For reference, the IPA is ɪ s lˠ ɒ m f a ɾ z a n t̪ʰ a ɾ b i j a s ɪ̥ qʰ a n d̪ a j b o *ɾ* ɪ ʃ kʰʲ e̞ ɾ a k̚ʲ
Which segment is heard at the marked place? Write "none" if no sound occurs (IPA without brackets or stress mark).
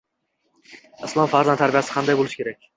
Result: l